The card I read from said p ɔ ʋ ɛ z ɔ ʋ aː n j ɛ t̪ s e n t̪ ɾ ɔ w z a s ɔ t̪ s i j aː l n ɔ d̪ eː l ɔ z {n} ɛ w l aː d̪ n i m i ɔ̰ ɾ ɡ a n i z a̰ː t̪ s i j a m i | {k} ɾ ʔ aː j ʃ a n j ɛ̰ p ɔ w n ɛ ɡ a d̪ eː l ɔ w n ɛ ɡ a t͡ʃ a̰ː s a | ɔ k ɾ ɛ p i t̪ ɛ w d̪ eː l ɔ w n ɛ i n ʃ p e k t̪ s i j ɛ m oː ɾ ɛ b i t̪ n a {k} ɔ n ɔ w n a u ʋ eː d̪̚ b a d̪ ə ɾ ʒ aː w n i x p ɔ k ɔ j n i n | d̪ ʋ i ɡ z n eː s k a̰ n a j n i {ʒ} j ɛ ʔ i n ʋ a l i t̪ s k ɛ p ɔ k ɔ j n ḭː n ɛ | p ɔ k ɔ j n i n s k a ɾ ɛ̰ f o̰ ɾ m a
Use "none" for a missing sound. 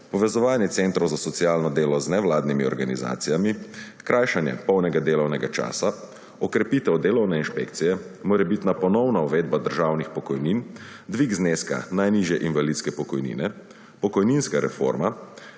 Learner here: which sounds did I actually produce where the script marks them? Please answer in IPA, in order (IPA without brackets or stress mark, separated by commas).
n, k, p, ʒ